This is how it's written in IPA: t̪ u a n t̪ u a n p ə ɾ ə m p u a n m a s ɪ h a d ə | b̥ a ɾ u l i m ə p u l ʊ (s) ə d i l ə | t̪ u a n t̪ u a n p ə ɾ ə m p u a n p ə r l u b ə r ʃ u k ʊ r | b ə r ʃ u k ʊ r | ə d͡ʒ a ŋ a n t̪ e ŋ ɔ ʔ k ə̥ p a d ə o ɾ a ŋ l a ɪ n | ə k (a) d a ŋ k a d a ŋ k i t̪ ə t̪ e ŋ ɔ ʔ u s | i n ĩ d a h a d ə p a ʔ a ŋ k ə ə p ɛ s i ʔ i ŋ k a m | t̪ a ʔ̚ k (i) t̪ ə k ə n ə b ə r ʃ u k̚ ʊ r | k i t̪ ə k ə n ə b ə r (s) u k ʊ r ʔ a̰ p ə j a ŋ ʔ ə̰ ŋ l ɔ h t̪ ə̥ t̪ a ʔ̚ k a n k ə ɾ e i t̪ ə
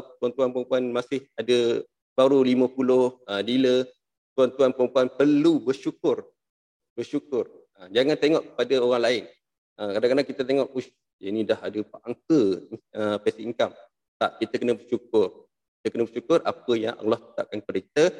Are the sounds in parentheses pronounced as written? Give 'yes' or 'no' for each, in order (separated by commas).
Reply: no, yes, yes, no